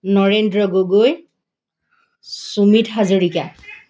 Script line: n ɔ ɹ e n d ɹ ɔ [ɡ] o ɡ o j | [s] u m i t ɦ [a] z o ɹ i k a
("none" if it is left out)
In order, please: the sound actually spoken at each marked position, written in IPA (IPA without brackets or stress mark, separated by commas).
ɡ, s, a